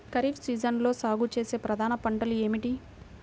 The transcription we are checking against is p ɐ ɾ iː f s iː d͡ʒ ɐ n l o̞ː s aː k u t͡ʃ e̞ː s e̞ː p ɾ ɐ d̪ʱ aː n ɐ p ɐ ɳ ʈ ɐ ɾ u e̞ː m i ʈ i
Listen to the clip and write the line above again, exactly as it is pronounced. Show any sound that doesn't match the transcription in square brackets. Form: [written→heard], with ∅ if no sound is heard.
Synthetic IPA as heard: [p→k] ɐ ɾ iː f s iː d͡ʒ ɐ n l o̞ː s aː [k→ɡ] u t͡ʃ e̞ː s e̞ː p ɾ ɐ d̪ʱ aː n ɐ p ɐ ɳ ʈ ɐ [ɾ→l] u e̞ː m i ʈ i